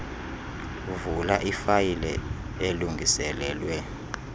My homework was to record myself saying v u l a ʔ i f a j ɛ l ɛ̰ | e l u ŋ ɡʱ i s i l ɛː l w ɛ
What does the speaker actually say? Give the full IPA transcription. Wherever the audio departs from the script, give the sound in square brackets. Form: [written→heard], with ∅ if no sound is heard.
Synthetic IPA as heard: v u l a ʔ i f a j [ɛ→i] l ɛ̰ | e l u ŋ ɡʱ i s [i→ɛ] l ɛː l w ɛ